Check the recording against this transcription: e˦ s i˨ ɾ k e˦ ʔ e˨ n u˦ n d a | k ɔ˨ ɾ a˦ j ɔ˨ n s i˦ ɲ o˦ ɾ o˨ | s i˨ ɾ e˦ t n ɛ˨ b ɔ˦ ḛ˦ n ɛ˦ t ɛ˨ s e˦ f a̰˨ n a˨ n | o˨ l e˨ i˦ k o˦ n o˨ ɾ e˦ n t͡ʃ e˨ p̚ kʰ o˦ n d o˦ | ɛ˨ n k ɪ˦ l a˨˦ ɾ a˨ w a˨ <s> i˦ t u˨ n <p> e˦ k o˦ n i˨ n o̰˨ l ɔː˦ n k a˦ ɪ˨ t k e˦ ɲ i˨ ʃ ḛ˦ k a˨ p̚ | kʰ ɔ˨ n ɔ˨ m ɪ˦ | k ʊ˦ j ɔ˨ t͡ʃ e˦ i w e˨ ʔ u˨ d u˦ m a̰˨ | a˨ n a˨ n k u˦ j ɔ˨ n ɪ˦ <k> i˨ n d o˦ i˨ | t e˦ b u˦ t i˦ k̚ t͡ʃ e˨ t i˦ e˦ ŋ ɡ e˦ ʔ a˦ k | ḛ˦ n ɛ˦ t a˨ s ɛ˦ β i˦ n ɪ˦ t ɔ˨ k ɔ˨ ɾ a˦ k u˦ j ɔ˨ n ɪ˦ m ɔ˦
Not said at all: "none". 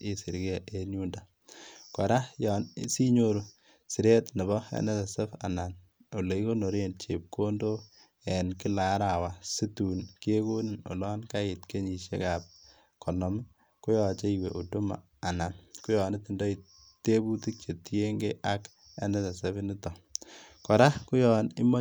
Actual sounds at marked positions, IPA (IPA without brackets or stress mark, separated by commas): s, k, t